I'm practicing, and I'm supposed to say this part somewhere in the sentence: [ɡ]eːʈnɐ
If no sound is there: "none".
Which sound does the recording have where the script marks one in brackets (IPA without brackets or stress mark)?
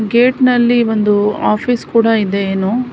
ɡ